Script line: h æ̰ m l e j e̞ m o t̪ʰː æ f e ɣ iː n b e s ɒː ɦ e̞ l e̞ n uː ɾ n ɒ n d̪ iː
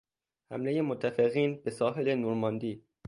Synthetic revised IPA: h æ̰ m l e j e̞ m o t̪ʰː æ f e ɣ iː n b e s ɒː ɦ e̞ l e̞ n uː ɾ m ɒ n d̪ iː